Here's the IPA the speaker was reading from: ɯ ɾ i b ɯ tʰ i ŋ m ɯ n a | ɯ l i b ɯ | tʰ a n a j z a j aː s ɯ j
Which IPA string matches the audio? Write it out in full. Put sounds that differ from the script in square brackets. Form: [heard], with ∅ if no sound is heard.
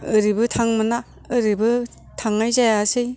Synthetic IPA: ɯ ɾ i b ɯ tʰ [a] ŋ m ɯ n a | ɯ [ɾ] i b ɯ | tʰ a [ŋ] a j z a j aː s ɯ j